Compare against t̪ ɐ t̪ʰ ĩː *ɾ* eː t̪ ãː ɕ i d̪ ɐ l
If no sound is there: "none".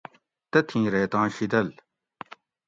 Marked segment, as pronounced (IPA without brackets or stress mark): ɾ